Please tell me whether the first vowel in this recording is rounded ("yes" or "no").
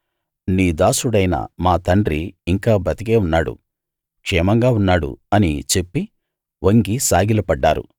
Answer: no